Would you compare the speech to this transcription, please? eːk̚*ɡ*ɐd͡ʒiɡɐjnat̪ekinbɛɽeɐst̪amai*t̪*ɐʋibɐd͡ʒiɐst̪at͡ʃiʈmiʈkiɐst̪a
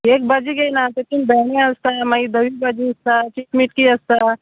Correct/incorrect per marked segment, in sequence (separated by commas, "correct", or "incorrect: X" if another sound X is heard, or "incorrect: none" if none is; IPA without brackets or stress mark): incorrect: b, incorrect: d̪